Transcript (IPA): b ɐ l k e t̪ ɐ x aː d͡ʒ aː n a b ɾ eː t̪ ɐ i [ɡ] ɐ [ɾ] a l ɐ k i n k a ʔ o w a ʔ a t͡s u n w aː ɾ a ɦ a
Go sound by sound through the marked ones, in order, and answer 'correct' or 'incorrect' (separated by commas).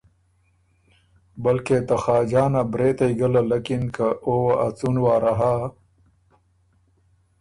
correct, incorrect